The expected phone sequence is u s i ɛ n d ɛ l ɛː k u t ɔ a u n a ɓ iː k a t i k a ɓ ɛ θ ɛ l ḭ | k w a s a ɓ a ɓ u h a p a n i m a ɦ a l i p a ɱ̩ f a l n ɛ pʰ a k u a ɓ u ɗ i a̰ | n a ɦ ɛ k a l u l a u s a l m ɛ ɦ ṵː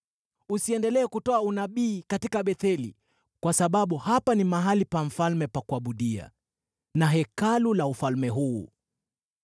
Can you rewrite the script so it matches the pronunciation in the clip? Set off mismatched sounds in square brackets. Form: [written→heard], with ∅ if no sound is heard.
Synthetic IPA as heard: u s i ɛ n d ɛ l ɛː k u t ɔ a u n a ɓ iː k a t i k a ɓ ɛ θ ɛ l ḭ | k w a s a ɓ a ɓ u h a p a n i m a ɦ a l i p a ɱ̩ f a l [n→m] ɛ [pʰ→p] a k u a ɓ u ɗ i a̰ | n a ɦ ɛ k a l u l a u [s→f] a l m ɛ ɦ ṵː